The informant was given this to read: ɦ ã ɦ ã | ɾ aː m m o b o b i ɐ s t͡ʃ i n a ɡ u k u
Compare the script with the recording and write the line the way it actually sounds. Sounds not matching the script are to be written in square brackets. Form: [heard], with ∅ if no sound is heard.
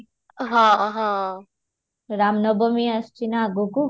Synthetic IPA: ɦ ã ɦ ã | ɾ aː m [n] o b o [m] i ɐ s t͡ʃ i n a ɡ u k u